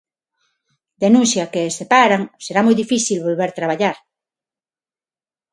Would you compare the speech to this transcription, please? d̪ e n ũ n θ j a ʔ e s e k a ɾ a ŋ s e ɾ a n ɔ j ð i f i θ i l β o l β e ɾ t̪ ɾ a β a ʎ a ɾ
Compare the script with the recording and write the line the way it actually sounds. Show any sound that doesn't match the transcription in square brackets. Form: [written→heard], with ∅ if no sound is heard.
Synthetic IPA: d̪ e n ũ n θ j a [ʔ→k] e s e [k→p] a ɾ a ŋ s e ɾ a [n→m] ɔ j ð i f i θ i l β o l β e ɾ t̪ ɾ a β a ʎ a ɾ